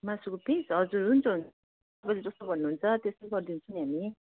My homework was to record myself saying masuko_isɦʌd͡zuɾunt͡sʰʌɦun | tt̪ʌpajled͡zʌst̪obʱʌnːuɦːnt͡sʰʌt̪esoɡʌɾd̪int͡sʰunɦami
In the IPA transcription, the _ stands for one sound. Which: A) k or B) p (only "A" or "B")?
B